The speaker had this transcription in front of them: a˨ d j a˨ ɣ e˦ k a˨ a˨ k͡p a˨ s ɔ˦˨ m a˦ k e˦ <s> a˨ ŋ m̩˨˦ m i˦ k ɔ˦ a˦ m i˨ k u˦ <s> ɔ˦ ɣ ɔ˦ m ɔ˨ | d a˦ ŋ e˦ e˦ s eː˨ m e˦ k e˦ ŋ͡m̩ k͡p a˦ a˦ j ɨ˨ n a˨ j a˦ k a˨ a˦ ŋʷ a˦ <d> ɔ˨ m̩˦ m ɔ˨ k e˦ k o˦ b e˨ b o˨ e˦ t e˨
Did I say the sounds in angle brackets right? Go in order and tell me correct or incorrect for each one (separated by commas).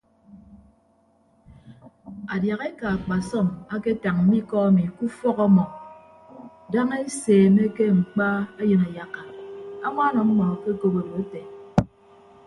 incorrect, incorrect, incorrect